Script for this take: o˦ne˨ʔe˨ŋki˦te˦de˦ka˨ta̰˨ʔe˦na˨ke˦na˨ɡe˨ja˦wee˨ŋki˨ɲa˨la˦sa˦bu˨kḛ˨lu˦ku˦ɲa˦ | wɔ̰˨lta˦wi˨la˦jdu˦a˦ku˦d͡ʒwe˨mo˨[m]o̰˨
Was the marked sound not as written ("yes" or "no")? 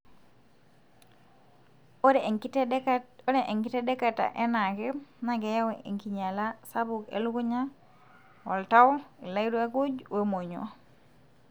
yes